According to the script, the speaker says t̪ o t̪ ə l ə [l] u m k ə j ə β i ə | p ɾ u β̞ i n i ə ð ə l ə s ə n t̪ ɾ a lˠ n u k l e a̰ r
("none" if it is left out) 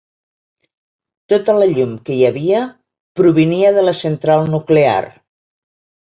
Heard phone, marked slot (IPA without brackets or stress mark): ʎ